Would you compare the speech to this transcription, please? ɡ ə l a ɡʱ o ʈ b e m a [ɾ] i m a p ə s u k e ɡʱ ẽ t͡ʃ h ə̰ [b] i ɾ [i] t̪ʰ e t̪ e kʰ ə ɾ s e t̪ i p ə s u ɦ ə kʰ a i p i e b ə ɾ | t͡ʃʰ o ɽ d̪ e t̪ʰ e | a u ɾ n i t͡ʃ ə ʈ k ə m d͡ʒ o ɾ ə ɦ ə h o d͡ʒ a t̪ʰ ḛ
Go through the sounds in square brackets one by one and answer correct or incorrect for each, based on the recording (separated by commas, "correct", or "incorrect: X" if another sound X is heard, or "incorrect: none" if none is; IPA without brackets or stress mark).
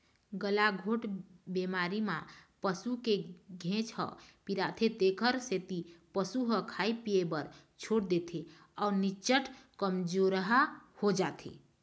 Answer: correct, incorrect: p, incorrect: a